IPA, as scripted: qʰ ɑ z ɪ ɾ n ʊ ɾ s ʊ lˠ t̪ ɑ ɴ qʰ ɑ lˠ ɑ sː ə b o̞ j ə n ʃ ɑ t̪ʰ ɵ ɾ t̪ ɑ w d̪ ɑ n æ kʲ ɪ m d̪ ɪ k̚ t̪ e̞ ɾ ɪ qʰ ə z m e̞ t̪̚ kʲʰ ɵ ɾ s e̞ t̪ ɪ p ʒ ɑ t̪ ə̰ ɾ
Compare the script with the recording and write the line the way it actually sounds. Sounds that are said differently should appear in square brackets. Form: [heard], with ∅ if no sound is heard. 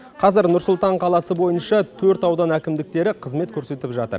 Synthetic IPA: qʰ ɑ z ɪ ɾ n ʊ ɾ s ʊ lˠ t̪ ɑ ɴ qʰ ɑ lˠ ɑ [s] ə b o̞ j ə n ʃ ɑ t̪ʰ ɵ ɾ t̪ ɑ w d̪ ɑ n æ kʲ ɪ m d̪ ɪ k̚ t̪ e̞ ɾ ɪ qʰ ə z m e̞ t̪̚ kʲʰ ɵ ɾ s e̞ t̪ ɪ p ʒ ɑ t̪ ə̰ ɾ